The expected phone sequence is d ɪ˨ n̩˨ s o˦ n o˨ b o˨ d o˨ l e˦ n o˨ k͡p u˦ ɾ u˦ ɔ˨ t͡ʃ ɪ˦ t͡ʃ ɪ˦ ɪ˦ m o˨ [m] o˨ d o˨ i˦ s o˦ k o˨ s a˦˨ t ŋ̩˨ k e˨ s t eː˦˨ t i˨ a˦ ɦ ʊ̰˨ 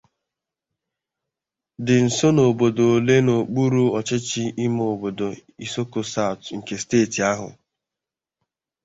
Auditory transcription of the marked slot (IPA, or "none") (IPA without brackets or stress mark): b